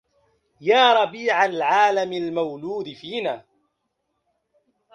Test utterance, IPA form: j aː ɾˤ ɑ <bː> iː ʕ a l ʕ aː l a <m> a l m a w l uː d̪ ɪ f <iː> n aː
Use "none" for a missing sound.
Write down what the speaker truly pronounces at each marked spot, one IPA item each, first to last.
b, m, iː

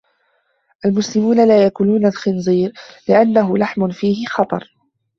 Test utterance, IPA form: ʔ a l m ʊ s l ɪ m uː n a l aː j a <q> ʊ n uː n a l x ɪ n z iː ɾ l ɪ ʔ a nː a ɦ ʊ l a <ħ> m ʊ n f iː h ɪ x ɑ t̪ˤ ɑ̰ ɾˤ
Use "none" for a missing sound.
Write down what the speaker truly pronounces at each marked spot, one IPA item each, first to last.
k, ħ

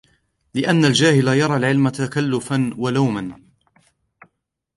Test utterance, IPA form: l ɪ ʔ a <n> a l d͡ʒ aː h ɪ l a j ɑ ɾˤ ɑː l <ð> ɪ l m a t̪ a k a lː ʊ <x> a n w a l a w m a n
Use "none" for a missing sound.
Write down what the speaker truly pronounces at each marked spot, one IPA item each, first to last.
nː, ʕ, f

